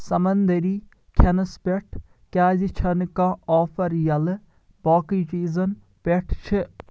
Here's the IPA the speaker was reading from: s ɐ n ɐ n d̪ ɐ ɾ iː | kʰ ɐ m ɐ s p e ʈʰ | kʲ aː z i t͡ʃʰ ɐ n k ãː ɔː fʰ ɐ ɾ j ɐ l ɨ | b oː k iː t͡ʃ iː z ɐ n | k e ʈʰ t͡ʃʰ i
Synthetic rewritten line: s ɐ m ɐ n d̪ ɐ ɾ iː | kʰ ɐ n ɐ s p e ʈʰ | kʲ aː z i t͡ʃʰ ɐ n k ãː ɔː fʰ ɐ ɾ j ɐ l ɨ | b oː k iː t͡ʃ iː z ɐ n | p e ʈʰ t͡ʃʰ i